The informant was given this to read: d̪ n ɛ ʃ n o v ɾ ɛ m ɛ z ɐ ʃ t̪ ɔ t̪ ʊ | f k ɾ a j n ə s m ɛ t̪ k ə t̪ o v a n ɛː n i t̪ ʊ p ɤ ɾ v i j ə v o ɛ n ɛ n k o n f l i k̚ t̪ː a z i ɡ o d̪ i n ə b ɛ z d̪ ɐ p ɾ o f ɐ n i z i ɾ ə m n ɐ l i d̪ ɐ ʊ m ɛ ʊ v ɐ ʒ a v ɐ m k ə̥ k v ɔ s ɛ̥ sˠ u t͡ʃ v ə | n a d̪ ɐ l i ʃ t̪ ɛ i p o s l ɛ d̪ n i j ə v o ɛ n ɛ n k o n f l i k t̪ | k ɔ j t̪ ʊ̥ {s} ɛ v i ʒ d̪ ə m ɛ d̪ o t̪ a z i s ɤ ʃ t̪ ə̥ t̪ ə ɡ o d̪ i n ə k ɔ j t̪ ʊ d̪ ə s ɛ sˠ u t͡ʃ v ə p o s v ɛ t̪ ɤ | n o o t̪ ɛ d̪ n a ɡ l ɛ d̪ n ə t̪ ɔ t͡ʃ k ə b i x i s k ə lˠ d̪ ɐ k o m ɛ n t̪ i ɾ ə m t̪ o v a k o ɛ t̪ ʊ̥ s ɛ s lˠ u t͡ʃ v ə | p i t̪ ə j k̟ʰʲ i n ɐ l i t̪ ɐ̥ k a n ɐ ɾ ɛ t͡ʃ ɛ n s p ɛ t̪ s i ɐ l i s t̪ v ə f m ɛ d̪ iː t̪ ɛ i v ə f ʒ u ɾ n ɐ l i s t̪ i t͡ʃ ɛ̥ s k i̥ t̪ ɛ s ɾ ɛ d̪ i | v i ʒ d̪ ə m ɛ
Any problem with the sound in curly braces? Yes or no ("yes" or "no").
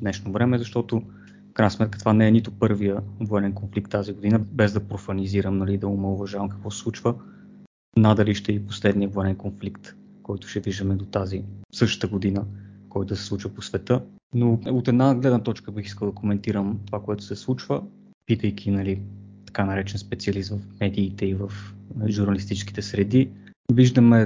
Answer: yes